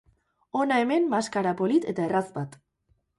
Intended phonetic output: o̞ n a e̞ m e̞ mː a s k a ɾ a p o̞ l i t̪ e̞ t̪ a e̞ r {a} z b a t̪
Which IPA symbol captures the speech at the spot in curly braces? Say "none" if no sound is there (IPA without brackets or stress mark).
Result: a